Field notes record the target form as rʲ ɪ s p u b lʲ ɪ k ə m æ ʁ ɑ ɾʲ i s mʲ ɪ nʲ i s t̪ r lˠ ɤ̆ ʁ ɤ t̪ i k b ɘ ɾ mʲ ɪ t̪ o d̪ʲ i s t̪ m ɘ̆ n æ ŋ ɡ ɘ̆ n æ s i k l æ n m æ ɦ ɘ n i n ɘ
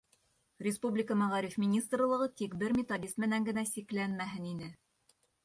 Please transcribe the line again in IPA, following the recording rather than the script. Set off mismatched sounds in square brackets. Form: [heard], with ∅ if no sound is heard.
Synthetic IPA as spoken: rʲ ɪ s p u b lʲ ɪ k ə m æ ʁ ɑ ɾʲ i [f] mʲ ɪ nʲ i s t̪ r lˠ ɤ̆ ʁ ɤ t̪ i k b ɘ ɾ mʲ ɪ t̪ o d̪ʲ i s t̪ m ɘ̆ n æ ŋ ɡ ɘ̆ n æ s i k l æ n m æ ɦ ɘ n i n ɘ